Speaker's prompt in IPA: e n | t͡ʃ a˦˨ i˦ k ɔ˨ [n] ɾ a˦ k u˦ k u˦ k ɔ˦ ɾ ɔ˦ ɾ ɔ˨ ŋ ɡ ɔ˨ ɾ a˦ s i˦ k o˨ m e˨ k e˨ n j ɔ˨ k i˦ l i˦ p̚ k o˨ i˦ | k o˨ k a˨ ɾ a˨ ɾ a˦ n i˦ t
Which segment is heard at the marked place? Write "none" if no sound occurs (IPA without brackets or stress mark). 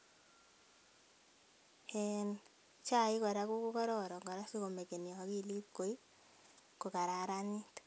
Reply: none